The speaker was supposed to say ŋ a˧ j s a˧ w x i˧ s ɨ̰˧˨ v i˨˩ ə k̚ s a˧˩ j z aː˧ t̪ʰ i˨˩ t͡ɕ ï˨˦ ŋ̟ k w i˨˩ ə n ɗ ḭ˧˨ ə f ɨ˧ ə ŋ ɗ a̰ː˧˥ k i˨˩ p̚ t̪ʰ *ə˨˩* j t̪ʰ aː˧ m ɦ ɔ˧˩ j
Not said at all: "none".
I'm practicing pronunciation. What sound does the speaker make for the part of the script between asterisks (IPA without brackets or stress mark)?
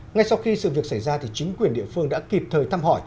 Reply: əː˨˩